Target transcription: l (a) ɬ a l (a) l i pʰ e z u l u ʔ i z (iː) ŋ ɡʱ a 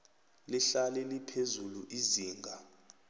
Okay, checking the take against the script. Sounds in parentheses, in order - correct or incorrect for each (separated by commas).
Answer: incorrect, incorrect, correct